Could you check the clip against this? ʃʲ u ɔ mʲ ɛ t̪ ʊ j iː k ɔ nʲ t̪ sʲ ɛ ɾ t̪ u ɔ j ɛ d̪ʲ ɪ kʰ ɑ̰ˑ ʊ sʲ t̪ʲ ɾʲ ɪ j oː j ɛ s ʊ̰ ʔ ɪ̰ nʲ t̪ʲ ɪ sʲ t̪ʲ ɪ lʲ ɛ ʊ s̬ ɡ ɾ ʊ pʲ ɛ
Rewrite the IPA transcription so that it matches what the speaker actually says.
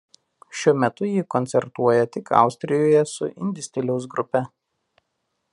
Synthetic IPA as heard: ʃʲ u ɔ mʲ ɛ t̪ ʊ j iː k ɔ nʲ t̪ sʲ ɛ ɾ t̪ u ɔ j ɛ t̪ʲ ɪ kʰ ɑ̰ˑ ʊ sʲ t̪ʲ ɾʲ ɪ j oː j ɛ s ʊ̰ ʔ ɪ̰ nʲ d̪ʲ ɪ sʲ t̪ʲ ɪ lʲ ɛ ʊ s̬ ɡ ɾ ʊ pʲ ɛ